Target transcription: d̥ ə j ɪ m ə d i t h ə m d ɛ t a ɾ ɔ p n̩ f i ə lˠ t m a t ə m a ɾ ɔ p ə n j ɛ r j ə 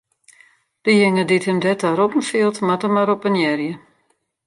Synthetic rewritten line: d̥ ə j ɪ ŋ ə d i t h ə m d ɛ t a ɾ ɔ p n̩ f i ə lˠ t m a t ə m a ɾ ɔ p ə n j ɛ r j ə